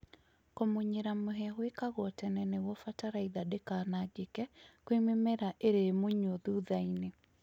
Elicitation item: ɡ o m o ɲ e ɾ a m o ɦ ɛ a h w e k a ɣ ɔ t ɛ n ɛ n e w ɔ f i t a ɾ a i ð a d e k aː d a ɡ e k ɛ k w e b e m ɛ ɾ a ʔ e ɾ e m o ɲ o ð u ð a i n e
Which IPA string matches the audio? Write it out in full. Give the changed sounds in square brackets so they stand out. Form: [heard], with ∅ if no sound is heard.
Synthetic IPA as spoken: [k] o m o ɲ e ɾ a m o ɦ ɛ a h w e k a ɣ ɔ t ɛ n ɛ n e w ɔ f [a] t a ɾ a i ð a d e k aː [n] a ɡ e k ɛ k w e [m] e m ɛ ɾ a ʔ e ɾ e m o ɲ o ð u ð a i n e